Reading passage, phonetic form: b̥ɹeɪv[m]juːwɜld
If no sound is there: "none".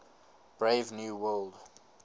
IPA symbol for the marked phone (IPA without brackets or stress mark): n